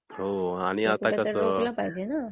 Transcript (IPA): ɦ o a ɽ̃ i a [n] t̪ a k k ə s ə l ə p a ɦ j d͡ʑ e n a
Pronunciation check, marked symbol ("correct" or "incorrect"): incorrect